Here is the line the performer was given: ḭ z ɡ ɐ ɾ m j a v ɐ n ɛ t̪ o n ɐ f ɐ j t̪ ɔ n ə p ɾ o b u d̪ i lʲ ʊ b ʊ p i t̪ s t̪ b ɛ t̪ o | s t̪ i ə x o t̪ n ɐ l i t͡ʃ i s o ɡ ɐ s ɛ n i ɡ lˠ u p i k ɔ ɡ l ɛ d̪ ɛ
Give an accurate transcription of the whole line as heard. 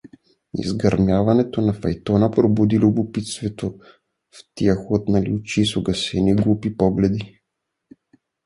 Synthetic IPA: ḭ z ɡ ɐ ɾ m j a v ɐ n ɛ t̪ o n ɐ f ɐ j t̪ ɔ n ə p ɾ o b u d̪ i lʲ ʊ b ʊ p i t̪ s t̪ v ɛ t̪ o | f t̪ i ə x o t̪ n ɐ l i t͡ʃ i s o ɡ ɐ s ɛ n i ɡ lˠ u p i p ɔ ɡ l ɛ d̪ i